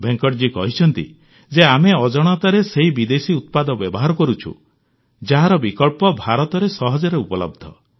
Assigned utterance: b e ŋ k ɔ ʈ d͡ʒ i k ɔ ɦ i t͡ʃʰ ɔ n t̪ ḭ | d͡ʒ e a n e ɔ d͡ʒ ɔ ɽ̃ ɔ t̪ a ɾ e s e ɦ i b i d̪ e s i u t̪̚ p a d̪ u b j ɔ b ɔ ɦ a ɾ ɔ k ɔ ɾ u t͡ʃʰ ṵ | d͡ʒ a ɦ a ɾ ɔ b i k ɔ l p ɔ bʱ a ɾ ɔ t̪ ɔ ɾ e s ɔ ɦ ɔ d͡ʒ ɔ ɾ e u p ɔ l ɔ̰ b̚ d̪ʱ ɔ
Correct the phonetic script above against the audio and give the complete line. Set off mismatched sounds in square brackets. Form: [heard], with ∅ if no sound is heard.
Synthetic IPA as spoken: b e ŋ k ɔ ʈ d͡ʒ i k ɔ ɦ i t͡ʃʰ ɔ n t̪ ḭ | d͡ʒ e a [m] e ɔ d͡ʒ ɔ ɽ̃ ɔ t̪ a ɾ e s e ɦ i b i d̪ e s i u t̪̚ p a d̪ [ɔ] b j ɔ b ɔ ɦ a ɾ ɔ k ɔ ɾ u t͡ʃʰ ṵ | d͡ʒ a ɦ a ɾ ɔ b i k ɔ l p ɔ bʱ a ɾ ɔ t̪ ɔ ɾ e s ɔ ɦ ɔ d͡ʒ ɔ ɾ e u p ɔ l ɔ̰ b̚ d̪ʱ ɔ